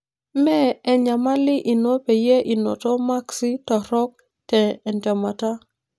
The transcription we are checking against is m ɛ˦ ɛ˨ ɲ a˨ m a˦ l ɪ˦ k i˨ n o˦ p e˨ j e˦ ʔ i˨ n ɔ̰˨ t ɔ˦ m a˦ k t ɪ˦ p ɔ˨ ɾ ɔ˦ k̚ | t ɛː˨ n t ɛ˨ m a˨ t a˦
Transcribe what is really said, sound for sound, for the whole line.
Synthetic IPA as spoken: m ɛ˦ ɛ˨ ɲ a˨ m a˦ l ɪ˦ ʔ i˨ n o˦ p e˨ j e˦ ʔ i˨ n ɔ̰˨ t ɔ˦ m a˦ k s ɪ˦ t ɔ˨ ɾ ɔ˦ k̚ | t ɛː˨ n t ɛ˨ m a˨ t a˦